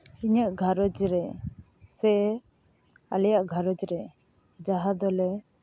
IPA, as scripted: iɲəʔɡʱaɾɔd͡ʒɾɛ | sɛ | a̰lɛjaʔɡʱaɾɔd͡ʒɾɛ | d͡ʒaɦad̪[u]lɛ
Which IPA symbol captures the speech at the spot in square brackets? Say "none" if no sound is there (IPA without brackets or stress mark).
ɔ